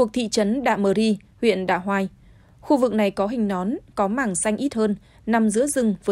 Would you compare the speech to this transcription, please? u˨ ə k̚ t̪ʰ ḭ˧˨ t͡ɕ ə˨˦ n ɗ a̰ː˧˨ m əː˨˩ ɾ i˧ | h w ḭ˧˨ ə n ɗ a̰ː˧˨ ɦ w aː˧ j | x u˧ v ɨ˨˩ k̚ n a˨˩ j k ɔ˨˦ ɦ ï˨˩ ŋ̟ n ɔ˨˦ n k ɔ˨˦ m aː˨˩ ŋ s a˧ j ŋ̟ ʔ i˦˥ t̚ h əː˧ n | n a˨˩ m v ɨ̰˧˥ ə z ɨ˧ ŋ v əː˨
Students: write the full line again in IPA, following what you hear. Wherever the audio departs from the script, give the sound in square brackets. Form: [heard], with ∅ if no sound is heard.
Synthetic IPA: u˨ ə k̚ t̪ʰ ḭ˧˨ t͡ɕ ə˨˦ n ɗ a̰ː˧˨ m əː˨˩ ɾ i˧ | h w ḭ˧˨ ə n ɗ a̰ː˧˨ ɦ w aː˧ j | x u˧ v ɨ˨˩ k̚ n a˨˩ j k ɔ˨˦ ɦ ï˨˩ ŋ̟ n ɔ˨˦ n k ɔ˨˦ m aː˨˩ ŋ s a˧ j ŋ̟ ʔ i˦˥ t̚ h əː˧ n | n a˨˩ m [z] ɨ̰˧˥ ə z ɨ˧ ŋ v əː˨